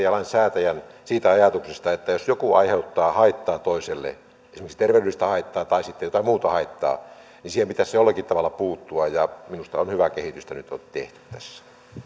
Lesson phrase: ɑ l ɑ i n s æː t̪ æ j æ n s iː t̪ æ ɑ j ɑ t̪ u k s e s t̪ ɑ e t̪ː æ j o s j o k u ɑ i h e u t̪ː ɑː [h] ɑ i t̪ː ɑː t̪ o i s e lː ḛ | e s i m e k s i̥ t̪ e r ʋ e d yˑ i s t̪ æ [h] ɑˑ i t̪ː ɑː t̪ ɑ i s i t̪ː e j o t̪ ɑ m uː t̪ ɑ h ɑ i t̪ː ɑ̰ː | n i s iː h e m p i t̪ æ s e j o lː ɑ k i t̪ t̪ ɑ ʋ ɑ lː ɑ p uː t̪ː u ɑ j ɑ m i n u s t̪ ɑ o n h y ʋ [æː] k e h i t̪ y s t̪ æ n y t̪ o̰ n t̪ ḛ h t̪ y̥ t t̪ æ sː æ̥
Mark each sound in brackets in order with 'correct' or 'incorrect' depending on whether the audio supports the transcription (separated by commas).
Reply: correct, correct, incorrect